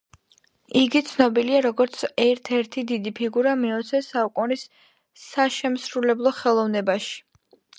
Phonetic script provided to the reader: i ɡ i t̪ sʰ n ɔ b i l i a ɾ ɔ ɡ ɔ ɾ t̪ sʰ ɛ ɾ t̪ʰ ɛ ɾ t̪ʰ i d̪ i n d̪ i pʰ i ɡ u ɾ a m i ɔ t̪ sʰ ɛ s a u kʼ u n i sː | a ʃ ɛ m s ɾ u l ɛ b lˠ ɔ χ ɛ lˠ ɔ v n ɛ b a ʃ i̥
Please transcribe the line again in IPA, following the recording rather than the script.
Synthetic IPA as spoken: i ɡ i t̪ sʰ n ɔ b i l i a ɾ ɔ ɡ ɔ ɾ t̪ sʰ ɛ ɾ t̪ʰ ɛ ɾ t̪ʰ i d̪ i d̪ i pʰ i ɡ u ɾ a m i ɔ t̪ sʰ ɛ s a u kʼ u n i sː | a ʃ ɛ m s ɾ u l ɛ b lˠ ɔ χ ɛ lˠ ɔ v n ɛ b a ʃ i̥